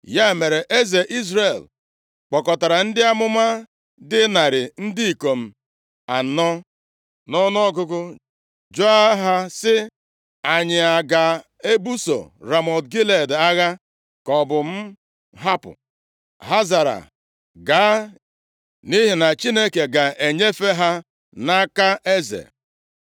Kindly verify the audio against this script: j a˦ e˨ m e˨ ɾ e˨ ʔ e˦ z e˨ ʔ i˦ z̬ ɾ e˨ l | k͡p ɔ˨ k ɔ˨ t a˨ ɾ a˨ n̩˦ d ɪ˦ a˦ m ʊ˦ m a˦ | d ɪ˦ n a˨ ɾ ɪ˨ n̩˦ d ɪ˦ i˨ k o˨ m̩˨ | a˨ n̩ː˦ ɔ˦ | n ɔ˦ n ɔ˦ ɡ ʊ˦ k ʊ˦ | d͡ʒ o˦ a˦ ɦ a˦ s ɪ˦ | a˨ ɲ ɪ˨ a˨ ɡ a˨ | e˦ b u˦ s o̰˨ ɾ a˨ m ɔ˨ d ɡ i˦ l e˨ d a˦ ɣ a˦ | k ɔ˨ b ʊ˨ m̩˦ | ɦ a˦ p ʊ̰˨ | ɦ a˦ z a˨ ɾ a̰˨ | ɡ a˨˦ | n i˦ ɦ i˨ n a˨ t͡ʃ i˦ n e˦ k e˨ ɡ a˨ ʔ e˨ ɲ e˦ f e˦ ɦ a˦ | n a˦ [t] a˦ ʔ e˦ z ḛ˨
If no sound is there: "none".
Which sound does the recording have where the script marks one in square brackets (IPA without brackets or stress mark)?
k